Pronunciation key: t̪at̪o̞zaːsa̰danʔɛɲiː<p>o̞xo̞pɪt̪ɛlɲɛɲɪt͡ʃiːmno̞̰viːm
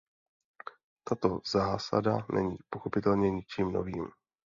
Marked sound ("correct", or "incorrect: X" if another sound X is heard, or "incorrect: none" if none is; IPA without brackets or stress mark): correct